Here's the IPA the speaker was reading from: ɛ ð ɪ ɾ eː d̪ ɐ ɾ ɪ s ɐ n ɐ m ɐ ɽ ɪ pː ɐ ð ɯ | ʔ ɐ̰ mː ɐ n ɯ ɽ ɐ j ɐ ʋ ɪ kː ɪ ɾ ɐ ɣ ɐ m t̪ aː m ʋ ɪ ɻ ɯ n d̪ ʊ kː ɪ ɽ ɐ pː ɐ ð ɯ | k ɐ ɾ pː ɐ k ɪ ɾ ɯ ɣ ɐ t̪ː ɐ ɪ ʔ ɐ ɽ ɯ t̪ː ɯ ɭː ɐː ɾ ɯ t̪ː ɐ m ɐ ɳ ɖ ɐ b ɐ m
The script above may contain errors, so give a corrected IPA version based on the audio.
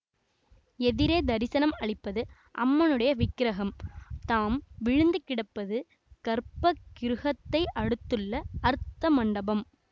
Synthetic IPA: ɛ ð ɪ ɾ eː d̪ ɐ ɾ ɪ s ɐ n ɐ m ɐ ɭ ɪ pː ɐ ð ɯ | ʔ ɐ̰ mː ɐ n ɯ ɽ ɐ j ɐ ʋ ɪ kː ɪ ɾ ɐ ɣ ɐ m t̪ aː m ʋ ɪ ɻ ɯ n d̪ ɯ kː ɪ ɽ ɐ pː ɐ ð ɯ | k ɐ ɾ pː ɐ k ɪ ɾ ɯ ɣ ɐ t̪ː ɐ ɪ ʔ ɐ ɽ ɯ t̪ː ɯ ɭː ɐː ɾ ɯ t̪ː ɐ m ɐ ɳ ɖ ɐ b ɐ m